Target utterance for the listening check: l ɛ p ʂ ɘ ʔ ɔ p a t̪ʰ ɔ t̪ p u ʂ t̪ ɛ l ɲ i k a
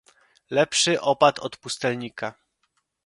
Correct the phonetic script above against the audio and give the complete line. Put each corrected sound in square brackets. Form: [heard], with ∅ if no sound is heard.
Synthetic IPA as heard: l ɛ p ʂ ɘ ʔ ɔ p a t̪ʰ ɔ t̪ p u [s] t̪ ɛ l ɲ i k a